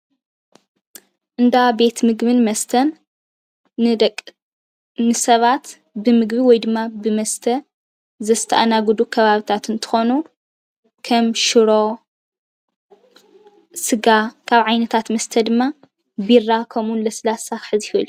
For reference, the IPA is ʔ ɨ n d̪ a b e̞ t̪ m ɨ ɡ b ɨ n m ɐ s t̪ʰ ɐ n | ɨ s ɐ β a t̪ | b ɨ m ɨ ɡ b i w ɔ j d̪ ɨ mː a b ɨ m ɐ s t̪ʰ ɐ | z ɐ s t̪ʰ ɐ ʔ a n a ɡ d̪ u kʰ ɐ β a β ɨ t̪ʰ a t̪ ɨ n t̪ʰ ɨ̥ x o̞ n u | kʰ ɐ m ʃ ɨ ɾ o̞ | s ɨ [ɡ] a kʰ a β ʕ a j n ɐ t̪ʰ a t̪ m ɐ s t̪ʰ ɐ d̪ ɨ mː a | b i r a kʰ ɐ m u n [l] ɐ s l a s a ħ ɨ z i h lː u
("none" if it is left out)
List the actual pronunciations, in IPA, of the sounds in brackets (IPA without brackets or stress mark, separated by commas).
ɡ, l